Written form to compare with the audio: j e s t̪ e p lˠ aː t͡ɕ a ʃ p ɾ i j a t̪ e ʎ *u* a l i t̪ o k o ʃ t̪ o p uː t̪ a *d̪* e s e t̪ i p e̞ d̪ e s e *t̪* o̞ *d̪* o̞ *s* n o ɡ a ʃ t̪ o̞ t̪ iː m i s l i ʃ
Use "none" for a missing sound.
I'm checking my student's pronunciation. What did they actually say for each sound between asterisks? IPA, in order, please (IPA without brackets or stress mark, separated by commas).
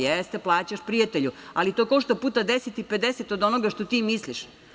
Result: u, d̪, t̪, d̪, none